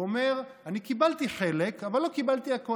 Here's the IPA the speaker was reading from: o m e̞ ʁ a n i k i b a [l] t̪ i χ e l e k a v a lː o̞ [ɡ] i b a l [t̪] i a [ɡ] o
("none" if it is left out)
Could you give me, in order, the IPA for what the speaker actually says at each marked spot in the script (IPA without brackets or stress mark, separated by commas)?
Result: l, k, t̪, k